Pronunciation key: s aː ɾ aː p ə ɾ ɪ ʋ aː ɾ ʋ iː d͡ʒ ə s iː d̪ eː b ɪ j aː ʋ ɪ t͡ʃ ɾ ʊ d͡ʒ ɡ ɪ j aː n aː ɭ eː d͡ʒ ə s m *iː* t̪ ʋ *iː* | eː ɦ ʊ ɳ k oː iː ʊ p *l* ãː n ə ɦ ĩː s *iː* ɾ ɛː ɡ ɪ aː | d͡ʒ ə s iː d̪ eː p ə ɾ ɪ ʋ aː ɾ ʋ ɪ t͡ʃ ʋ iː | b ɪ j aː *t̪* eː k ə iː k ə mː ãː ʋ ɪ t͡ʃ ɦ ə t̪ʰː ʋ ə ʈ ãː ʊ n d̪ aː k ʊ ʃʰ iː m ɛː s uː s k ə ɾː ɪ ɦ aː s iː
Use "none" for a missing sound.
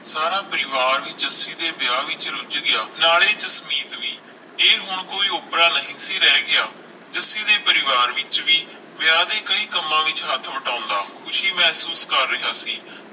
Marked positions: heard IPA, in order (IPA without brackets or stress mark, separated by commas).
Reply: iː, iː, ɾ, iː, d̪